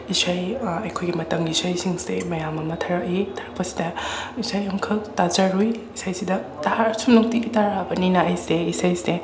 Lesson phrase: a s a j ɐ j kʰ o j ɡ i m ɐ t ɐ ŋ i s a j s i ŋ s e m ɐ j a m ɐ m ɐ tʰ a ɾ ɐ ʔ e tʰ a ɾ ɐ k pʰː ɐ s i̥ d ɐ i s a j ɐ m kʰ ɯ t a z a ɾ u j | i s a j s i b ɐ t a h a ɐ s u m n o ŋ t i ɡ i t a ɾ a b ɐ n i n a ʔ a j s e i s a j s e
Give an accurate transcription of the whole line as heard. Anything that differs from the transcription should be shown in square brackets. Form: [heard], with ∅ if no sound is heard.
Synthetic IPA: [i] s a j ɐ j kʰ o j ɡ i m ɐ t ɐ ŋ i s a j s i ŋ s e m ɐ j a m ɐ m ɐ tʰ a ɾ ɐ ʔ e tʰ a ɾ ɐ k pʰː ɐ s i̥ d ɐ i s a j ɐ m kʰ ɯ t a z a ɾ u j | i s a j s i [d] ɐ t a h a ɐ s u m n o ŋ t i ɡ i t a ɾ a b ɐ n i n a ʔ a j s e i s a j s e